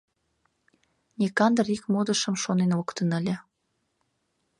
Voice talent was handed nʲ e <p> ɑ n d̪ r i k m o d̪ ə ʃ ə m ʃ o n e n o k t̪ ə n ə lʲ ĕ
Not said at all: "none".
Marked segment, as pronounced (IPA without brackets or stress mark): k